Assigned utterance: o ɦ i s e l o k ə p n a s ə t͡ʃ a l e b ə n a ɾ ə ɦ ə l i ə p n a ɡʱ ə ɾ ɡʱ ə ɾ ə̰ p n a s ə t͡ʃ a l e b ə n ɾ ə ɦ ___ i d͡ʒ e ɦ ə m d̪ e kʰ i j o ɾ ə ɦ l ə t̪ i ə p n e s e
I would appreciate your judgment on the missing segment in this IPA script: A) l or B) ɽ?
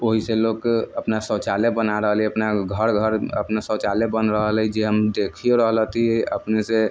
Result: A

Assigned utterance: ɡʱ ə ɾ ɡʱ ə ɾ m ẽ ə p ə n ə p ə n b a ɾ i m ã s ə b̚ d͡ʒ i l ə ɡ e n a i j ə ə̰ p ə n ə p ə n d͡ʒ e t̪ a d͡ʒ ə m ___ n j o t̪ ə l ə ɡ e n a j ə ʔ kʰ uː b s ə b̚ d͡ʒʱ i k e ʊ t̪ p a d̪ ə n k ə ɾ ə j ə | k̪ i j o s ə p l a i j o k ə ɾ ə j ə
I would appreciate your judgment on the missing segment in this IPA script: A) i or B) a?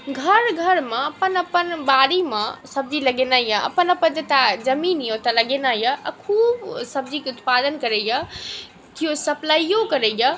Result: A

